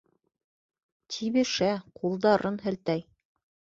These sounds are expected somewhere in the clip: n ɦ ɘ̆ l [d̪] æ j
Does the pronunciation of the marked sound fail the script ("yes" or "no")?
yes